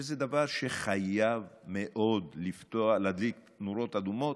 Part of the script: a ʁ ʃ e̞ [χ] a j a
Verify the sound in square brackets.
correct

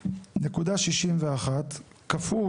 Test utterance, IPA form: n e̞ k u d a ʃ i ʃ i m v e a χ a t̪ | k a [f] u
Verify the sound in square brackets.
correct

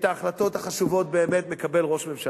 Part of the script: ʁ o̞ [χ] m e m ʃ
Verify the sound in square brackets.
incorrect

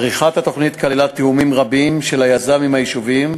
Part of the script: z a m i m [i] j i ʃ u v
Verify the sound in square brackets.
incorrect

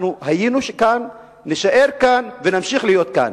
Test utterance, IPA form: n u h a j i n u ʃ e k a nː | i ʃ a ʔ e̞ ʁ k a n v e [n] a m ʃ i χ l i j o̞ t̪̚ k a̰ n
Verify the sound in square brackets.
correct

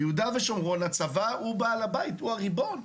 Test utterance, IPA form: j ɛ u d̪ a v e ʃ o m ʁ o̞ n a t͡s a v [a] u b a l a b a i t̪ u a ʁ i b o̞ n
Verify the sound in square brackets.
correct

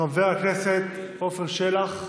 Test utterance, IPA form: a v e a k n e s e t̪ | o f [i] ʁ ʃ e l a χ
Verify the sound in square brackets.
incorrect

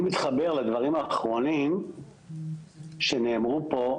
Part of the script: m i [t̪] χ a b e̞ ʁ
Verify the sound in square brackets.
correct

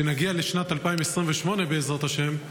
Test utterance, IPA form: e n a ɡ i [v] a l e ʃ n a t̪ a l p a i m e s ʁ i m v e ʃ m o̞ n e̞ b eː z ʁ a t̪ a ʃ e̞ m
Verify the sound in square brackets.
incorrect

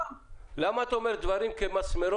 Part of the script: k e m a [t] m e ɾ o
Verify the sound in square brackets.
incorrect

